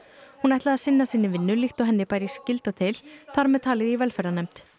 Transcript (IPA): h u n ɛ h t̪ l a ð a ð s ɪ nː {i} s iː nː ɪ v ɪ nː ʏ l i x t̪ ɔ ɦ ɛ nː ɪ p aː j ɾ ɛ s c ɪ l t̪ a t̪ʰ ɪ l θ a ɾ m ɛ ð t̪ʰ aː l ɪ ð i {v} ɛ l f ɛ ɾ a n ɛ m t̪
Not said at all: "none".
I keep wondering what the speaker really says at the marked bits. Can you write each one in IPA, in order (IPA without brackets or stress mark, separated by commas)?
a, v